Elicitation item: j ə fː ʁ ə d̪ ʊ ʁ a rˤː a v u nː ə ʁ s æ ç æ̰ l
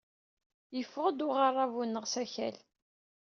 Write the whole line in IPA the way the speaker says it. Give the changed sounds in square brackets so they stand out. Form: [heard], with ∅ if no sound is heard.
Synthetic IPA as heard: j ə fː ʁ ə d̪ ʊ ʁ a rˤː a v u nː ə ʁ s æ ç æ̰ l